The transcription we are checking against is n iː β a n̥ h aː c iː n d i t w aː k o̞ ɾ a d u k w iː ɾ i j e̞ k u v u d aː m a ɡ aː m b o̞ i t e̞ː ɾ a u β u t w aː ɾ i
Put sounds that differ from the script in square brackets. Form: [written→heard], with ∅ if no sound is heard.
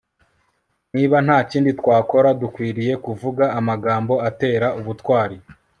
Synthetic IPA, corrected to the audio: n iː β a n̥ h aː c iː n d i t w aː k o̞ ɾ a d u k w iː ɾ i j e̞ k u v u [d→ɡ] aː m a ɡ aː m b o̞ [i→a] t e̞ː ɾ a u β u t w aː ɾ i